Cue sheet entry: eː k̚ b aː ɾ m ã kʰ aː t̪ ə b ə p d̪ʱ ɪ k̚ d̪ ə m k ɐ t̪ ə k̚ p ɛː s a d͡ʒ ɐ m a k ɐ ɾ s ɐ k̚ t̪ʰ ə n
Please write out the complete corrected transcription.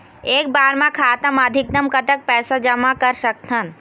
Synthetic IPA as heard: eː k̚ b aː ɾ m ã kʰ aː t̪ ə m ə d̪ʱ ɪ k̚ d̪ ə m k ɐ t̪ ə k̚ p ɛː s a d͡ʒ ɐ m a k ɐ ɾ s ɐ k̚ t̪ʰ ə n